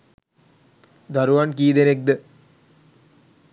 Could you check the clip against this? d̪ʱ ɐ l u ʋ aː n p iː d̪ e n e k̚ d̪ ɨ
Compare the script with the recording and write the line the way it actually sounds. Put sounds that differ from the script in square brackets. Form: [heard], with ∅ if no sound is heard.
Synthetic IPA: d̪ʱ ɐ [ɾ] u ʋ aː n [k] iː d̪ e n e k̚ d̪ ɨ